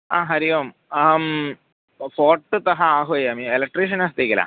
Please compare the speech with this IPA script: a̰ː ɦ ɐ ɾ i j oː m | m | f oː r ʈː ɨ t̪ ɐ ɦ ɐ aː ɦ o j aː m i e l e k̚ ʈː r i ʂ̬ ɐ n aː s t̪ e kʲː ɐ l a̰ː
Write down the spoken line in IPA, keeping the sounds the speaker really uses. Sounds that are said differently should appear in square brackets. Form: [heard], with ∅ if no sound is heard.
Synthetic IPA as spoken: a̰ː ɦ ɐ ɾ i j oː m | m | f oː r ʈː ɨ t̪ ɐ ɦ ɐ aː ɦ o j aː m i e l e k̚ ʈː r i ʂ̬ ɐ n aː s t̪ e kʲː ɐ l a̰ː